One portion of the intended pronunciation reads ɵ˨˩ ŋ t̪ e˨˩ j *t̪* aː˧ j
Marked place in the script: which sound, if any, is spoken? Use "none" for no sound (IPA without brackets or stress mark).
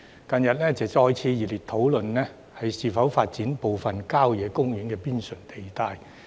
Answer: t̪